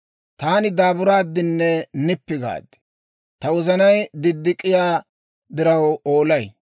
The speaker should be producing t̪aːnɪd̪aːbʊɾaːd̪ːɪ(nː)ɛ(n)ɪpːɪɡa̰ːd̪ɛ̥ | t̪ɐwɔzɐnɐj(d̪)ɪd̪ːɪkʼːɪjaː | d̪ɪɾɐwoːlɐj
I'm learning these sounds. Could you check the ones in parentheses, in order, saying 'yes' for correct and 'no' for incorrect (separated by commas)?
yes, yes, yes